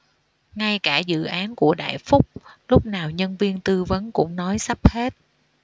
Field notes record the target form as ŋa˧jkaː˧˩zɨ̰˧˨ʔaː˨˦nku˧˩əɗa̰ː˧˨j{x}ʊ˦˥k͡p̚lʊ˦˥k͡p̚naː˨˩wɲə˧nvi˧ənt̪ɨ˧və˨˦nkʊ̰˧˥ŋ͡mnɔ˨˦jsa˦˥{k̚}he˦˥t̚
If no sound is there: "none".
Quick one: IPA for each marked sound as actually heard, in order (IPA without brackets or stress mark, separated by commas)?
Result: f, p̚